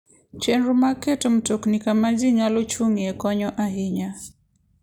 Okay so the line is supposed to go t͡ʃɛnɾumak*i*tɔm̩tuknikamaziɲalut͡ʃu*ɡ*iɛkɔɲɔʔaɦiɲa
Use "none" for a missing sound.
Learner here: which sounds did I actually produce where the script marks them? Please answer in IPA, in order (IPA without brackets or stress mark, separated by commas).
ɛ, ŋ